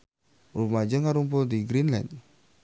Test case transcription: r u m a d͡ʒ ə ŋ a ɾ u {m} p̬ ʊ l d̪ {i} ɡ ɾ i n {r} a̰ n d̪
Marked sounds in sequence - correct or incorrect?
correct, correct, incorrect: l

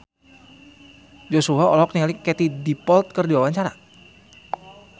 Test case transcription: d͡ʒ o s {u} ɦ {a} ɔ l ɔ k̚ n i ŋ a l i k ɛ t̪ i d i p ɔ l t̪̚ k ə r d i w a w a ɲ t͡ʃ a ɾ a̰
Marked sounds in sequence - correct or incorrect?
correct, correct

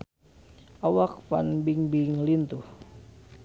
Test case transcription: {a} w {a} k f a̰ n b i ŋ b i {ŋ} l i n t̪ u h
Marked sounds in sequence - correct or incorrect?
correct, correct, correct

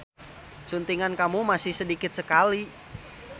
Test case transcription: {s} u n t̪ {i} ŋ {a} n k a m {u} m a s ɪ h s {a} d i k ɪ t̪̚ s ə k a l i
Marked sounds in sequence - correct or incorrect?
correct, correct, correct, correct, incorrect: ə

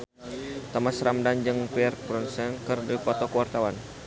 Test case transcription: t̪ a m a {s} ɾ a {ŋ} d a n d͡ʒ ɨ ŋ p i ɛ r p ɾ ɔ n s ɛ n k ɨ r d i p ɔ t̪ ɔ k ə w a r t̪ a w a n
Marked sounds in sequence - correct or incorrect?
correct, incorrect: m

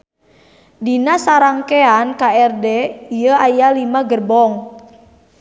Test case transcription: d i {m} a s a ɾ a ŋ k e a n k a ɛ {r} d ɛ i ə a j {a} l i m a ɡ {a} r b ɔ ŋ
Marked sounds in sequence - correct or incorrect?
incorrect: n, correct, correct, incorrect: ə

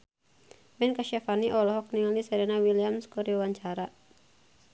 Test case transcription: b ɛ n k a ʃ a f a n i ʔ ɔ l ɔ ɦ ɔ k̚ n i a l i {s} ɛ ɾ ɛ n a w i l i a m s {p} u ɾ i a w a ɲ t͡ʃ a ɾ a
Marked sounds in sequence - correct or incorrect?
correct, incorrect: k

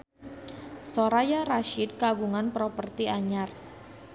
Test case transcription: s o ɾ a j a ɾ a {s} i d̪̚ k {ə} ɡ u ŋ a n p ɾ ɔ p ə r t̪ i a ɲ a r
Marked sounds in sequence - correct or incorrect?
incorrect: ʃ, incorrect: a

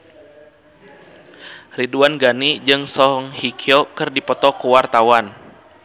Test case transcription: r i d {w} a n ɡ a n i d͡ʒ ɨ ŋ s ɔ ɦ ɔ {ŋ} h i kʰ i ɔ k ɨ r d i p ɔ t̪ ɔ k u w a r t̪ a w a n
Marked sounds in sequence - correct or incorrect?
incorrect: u, correct

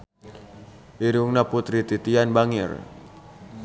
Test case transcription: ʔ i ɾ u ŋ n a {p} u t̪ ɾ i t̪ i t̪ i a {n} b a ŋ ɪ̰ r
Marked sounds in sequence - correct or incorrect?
correct, correct

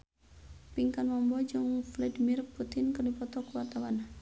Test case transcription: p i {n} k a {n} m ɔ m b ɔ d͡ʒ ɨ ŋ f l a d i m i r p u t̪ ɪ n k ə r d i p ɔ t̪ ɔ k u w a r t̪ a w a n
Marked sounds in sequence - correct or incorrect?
incorrect: ŋ, correct

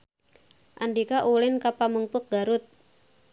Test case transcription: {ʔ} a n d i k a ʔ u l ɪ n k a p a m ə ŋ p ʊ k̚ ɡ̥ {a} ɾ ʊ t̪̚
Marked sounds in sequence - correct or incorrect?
correct, correct

